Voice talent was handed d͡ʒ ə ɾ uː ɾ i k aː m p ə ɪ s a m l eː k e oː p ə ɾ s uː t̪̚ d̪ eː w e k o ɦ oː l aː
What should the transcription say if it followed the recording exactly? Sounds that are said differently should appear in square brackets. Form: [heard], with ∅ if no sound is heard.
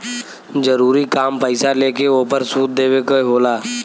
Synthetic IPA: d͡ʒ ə ɾ uː ɾ i k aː m p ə ɪ s a [∅] l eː k e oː p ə ɾ s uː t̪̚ d̪ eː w e k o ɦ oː l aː